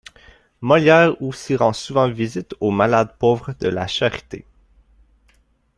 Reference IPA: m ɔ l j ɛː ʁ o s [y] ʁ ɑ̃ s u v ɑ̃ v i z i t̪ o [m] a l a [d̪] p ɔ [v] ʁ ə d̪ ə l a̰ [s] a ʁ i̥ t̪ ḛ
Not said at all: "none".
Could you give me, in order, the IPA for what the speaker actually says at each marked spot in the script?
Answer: i, m, d̪, v, ʃ

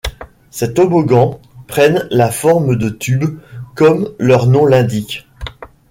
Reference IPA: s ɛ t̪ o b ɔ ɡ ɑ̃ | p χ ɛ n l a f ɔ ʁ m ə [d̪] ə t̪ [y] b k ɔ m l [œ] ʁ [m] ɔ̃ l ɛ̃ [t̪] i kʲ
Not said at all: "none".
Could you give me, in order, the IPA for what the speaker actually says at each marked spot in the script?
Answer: d̪, y, œ, n, d̪

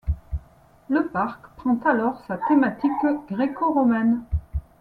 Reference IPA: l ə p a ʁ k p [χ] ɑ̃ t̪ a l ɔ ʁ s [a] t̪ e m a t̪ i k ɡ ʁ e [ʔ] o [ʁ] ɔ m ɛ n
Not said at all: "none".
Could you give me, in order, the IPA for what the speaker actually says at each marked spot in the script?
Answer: χ, a, k, ʁ

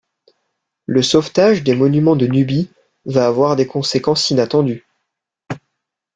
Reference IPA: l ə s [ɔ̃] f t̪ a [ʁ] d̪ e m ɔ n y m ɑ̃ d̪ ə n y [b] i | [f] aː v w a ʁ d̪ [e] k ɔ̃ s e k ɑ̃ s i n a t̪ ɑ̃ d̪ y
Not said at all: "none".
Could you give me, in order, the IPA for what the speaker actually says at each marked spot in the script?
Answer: ɔ, ʒ, b, v, e

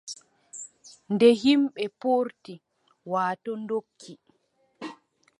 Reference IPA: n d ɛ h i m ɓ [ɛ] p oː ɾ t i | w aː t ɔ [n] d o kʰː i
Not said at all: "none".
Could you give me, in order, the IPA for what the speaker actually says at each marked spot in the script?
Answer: ɛ, n

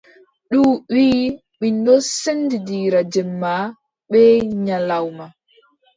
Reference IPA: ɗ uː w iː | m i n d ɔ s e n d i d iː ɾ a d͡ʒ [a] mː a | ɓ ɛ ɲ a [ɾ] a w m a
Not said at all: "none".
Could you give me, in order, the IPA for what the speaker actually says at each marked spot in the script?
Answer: ɛ, l

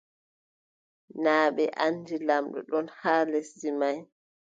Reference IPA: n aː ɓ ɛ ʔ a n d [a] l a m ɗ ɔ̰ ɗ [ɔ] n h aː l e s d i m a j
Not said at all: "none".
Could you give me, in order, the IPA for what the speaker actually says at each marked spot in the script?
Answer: i, ɔ

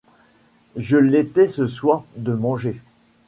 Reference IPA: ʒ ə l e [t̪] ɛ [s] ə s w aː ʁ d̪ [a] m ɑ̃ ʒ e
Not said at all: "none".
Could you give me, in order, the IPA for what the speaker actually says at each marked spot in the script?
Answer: t̪, s, ə

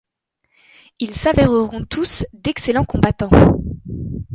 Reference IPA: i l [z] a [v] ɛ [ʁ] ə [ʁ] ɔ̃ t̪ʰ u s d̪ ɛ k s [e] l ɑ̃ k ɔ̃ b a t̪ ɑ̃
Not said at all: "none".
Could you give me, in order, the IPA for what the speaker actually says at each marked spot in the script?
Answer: s, v, ʁ, ʁ, e

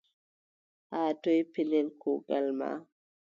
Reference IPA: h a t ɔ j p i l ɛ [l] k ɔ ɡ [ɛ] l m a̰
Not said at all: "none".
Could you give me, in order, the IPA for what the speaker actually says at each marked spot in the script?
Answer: l, a

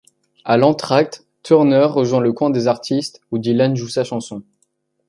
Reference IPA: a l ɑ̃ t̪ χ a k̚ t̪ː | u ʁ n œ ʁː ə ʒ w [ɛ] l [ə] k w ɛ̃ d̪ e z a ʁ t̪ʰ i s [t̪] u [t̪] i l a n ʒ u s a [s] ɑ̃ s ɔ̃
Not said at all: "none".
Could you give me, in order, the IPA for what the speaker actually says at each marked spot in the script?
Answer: ɛ̃, ə, t̪, d̪, ʃ

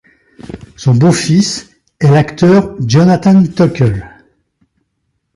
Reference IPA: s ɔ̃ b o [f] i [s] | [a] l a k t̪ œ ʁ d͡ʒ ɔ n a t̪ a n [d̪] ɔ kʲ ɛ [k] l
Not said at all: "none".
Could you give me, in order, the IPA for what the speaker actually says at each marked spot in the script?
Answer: f, s, ɛ, t̪, none

